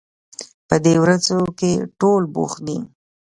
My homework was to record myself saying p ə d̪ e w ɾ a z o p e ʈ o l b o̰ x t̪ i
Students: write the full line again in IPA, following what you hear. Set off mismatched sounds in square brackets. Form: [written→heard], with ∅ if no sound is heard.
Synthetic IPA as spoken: p ə d̪ e w ɾ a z o [p→k] e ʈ o l b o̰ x [t̪→d̪] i